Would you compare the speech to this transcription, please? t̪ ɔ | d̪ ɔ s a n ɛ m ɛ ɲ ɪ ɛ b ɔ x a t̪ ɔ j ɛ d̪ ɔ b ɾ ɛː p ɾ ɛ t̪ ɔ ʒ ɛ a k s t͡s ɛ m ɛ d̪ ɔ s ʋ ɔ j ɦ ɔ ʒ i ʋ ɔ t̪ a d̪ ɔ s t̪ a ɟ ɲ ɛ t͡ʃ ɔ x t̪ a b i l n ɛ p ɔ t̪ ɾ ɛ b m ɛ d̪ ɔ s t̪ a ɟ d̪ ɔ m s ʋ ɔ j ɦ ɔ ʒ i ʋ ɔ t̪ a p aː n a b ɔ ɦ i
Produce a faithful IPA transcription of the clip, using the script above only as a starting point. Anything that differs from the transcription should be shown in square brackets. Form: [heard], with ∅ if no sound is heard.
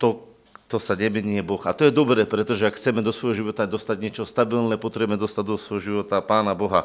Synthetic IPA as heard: t̪ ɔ | [t̪] ɔ s a [ɲ] ɛ m ɛ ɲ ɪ ɛ b ɔ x a t̪ ɔ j ɛ d̪ ɔ b ɾ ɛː p ɾ ɛ t̪ ɔ ʒ ɛ a k [x] t͡s ɛ m ɛ d̪ ɔ s ʋ ɔ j ɦ ɔ ʒ i ʋ ɔ t̪ a d̪ ɔ s t̪ a ɟ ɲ ɛ t͡ʃ ɔ [s] t̪ a b i l n ɛ p ɔ t̪ ɾ ɛ b m ɛ d̪ ɔ s t̪ a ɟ d̪ ɔ [∅] s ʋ ɔ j ɦ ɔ ʒ i ʋ ɔ t̪ a p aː n a b ɔ ɦ [a]